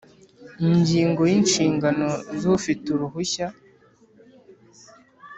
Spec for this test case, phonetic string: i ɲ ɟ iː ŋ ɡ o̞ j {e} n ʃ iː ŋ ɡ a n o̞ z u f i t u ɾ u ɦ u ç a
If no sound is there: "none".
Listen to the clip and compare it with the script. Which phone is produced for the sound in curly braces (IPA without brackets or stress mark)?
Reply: i